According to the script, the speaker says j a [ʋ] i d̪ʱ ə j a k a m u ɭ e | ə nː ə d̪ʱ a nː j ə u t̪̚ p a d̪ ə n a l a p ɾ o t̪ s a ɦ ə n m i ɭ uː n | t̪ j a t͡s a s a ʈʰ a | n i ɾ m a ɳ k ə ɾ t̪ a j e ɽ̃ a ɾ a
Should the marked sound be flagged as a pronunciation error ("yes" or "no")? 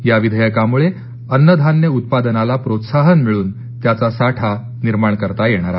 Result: no